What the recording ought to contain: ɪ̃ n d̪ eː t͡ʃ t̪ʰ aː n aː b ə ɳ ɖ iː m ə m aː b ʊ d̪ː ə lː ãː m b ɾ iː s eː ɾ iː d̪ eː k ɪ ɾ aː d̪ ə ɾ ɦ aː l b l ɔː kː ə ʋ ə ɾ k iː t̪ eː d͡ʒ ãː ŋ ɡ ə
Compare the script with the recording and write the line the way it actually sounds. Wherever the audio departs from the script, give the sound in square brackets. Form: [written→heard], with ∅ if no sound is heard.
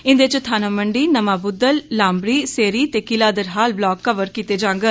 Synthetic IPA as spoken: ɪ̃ n d̪ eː t͡ʃ t̪ʰ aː n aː [b→m] ə ɳ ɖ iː [m→n] ə m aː b ʊ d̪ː ə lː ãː m b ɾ iː s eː ɾ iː [d̪→t̪] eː k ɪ [ɾ→l] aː d̪ ə ɾ ɦ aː l b l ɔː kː ə ʋ ə ɾ k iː t̪ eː d͡ʒ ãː ŋ ɡ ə